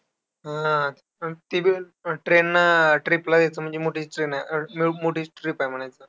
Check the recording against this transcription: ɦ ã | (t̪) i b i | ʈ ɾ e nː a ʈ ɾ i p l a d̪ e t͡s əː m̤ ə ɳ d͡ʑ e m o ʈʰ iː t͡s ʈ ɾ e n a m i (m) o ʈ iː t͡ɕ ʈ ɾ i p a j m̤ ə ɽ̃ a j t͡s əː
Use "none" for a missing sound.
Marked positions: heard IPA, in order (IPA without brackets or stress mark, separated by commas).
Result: t̪, m